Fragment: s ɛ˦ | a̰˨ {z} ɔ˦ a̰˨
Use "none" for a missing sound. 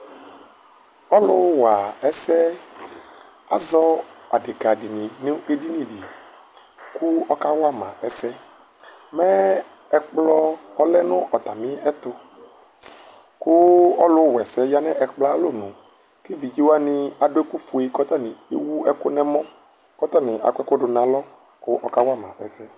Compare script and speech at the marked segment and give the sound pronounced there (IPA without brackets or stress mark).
z